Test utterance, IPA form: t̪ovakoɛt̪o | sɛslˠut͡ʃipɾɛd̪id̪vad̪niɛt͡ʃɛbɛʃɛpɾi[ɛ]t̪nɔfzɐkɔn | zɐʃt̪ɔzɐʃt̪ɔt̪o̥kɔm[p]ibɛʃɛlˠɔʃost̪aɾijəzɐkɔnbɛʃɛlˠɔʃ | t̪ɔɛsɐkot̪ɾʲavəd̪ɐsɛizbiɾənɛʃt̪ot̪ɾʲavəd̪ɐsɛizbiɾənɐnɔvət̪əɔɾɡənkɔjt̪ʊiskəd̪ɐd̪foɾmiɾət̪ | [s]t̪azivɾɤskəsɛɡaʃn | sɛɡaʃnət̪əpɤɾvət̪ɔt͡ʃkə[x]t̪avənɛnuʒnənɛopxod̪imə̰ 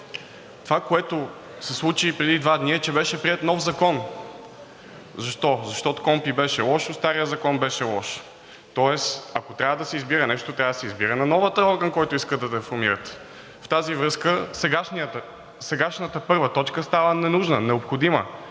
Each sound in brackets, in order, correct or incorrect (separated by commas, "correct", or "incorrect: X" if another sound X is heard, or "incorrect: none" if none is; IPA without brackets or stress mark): correct, correct, incorrect: f, incorrect: s